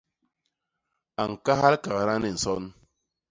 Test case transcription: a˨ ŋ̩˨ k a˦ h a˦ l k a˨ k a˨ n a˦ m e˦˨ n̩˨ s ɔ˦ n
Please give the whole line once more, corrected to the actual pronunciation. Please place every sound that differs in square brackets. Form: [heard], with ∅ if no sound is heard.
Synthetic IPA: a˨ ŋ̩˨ k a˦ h a˦ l k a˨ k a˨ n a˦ [n] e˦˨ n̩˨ s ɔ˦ n